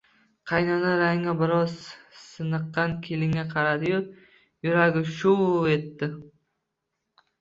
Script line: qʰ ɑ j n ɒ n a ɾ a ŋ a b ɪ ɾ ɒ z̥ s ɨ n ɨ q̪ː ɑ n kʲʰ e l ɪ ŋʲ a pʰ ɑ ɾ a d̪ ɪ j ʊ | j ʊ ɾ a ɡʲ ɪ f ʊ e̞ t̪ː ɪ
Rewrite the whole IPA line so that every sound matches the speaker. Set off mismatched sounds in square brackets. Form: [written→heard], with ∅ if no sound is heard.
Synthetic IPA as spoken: qʰ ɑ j n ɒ n a ɾ a ŋ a b ɪ ɾ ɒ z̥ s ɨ n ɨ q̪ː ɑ n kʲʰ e l ɪ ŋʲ a [pʰ→qʰ] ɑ ɾ a d̪ ɪ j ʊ | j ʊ ɾ a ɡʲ ɪ [f→ʃ] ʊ e̞ t̪ː ɪ